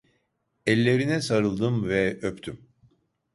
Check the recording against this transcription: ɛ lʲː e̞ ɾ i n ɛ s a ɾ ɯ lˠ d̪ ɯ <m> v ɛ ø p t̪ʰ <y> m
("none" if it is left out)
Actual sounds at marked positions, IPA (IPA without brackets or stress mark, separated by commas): m, y